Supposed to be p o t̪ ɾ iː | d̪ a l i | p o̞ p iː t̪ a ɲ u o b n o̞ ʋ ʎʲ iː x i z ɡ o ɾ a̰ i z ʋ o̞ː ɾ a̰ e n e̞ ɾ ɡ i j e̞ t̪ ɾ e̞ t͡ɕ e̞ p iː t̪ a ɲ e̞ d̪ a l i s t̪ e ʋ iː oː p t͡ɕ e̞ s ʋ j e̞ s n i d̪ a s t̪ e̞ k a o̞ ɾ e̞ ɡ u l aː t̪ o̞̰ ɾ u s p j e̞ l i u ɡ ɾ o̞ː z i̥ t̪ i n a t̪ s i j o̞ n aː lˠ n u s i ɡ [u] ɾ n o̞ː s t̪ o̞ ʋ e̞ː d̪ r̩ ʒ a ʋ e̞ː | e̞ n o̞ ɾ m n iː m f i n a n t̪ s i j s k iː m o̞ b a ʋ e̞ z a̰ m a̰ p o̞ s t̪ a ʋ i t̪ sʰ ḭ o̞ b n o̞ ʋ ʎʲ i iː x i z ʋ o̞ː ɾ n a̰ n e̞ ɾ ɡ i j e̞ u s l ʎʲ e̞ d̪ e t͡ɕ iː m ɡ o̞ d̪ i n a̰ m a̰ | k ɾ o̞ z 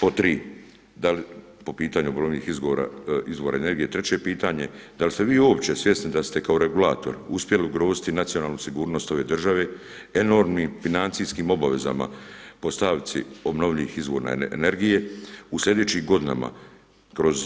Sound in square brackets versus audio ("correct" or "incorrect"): incorrect